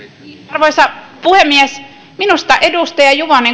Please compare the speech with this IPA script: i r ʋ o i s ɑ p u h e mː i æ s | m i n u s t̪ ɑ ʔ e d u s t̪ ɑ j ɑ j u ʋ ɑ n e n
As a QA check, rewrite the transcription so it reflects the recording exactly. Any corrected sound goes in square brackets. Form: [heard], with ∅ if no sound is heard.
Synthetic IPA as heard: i r ʋ o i s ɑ p u h e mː i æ s | m i n u s t̪ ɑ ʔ e d u s t̪ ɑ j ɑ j u ʋ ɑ n e [ŋ]